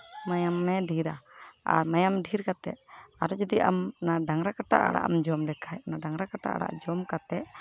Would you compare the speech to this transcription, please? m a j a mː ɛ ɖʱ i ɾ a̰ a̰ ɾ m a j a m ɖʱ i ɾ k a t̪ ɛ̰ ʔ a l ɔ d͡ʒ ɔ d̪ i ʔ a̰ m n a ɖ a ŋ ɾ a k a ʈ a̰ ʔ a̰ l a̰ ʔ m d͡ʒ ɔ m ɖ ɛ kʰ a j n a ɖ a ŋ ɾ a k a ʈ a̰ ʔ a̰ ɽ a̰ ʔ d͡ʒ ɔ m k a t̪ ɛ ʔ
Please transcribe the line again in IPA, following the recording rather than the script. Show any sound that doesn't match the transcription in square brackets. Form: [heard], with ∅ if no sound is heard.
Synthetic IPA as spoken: m a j a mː ɛ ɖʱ i ɾ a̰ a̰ ɾ m a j a m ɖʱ i ɾ k a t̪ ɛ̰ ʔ a [ɾ] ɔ d͡ʒ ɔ d̪ i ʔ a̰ m n a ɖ a ŋ ɾ a k a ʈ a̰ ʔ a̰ [ɽ] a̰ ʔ m d͡ʒ ɔ m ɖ ɛ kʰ a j n a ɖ a ŋ ɾ a k a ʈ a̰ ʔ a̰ ɽ a̰ ʔ d͡ʒ ɔ m k a t̪ ɛ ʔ